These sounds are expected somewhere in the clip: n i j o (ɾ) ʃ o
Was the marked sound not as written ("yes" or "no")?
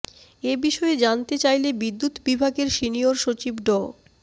no